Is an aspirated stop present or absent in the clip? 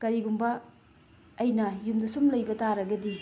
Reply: absent